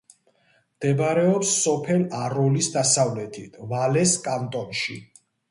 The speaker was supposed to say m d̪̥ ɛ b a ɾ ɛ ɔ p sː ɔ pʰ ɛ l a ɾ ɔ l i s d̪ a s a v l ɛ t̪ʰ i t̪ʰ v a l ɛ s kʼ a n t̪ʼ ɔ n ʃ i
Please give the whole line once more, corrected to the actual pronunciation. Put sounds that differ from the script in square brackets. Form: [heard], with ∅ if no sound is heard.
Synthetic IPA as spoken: m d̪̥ ɛ b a ɾ ɛ ɔ p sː ɔ pʰ ɛ l a ɾ ɔ l i s d̪ a s a v l ɛ t̪ʰ i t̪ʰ v a l ɛ s kʼ a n t̪ʼ ɔ n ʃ i